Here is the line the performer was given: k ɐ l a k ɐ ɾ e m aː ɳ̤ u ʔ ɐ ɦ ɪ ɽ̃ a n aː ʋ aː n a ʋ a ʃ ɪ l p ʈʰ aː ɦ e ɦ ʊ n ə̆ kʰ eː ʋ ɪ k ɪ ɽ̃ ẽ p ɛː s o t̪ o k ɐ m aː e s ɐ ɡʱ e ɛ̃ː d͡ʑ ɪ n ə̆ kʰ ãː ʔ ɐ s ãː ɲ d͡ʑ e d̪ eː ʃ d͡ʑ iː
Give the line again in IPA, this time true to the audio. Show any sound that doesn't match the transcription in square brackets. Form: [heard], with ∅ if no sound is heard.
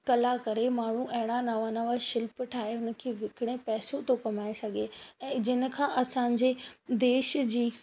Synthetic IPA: k ɐ l a k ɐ ɾ e m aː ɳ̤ u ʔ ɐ ɦ ɪ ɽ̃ a n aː ʋ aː n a ʋ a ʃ ɪ l p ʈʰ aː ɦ e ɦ ʊ n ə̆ kʰ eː ʋ ɪ k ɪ ɽ̃ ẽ p ɛː s o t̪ o k ɐ m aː e s ɐ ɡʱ e ɛ̃ː d͡ʑ ɪ n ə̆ kʰ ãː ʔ ɐ s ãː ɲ d͡ʑ e d̪ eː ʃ d͡ʑ iː

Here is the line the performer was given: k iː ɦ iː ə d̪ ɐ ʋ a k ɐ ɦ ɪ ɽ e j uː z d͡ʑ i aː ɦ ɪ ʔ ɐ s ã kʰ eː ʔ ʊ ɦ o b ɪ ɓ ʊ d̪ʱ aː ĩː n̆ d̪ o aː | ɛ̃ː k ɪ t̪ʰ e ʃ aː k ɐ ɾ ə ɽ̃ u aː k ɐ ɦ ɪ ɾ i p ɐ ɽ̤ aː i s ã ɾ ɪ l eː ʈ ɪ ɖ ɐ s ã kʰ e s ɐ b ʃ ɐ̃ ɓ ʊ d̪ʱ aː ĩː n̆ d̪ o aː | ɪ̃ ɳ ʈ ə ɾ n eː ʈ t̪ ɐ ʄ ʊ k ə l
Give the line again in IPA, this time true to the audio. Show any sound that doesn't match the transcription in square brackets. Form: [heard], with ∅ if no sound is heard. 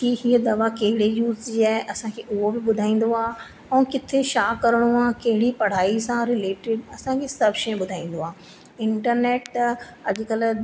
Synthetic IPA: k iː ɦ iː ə d̪ ɐ ʋ a k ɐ ɦ ɪ ɽ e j uː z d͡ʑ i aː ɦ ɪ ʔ ɐ s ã kʰ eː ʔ ʊ ɦ o b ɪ ɓ ʊ d̪ʱ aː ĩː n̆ d̪ o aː | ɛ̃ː k ɪ t̪ʰ e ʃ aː k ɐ ɾ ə ɽ̃ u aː k ɐ ɦ ɪ [ɽ] i p ɐ ɽ̤ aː i s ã ɾ ɪ l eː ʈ ɪ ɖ ɐ s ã kʰ e s ɐ b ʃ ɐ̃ ɓ ʊ d̪ʱ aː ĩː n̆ d̪ o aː | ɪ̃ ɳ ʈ ə ɾ n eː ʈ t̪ ɐ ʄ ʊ k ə l

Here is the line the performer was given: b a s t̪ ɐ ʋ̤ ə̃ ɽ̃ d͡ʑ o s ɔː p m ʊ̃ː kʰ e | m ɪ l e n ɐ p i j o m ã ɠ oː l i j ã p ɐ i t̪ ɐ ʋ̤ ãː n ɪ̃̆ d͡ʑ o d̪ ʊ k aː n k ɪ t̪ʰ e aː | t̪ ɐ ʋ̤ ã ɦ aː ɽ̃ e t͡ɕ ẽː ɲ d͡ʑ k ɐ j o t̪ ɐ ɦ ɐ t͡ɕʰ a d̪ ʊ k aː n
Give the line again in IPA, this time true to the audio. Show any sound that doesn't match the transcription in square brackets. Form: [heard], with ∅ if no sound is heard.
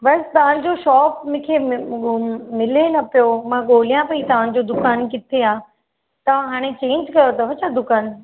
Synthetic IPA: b [ɐ] s t̪ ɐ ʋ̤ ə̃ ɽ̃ d͡ʑ o [ʃ] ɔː p m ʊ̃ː kʰ e | m ɪ l e n ɐ p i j o m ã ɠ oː l i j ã p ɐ i t̪ ɐ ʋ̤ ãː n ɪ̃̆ d͡ʑ o d̪ ʊ k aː n k ɪ t̪ʰ e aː | t̪ ɐ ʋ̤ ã ɦ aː ɽ̃ e t͡ɕ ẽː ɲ d͡ʑ k ɐ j o t̪ ɐ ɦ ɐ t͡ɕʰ a d̪ ʊ k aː n

